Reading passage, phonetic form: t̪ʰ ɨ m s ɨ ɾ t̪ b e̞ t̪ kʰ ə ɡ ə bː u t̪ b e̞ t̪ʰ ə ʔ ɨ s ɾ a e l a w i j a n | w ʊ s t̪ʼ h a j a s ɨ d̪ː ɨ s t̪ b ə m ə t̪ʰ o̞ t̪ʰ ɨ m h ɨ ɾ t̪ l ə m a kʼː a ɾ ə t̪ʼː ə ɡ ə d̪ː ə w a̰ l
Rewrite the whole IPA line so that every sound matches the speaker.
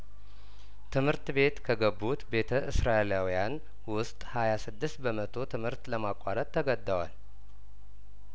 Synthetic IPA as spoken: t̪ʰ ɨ m h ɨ ɾ t̪ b e̞ t̪ kʰ ə ɡ ə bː u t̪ b e̞ t̪ʰ ə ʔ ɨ s ɾ a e l a w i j a n | w ʊ s t̪ʼ h a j a s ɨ d̪ː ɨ s t̪ b ə m ə t̪ʰ o̞ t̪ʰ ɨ m h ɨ ɾ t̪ l ə m a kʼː a ɾ ə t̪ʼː ə ɡ ə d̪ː ə w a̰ l